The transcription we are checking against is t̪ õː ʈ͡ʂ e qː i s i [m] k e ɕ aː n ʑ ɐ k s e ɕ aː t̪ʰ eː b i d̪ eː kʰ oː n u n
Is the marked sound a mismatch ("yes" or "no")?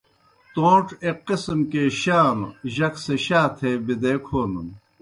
no